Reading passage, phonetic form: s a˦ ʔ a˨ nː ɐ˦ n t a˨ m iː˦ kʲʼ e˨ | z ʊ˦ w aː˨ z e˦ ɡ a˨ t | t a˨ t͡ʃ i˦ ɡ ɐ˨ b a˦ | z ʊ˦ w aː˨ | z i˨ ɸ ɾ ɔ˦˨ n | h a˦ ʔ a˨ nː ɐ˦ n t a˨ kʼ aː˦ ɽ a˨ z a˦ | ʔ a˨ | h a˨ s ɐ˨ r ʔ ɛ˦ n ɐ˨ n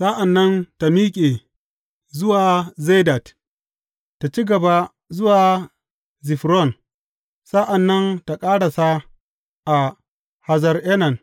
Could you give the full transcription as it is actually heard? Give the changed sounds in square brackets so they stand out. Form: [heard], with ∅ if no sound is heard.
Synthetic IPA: s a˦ ʔ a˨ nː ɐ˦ n t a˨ m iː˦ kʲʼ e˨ | z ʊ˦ w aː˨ z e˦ [d] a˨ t | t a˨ t͡ʃ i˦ ɡ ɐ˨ b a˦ | z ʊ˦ w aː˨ | z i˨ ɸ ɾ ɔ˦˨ n | [s] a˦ ʔ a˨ nː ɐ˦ n t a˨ kʼ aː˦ ɽ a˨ [s] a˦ | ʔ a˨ | h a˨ [z] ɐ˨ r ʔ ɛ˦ n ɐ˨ n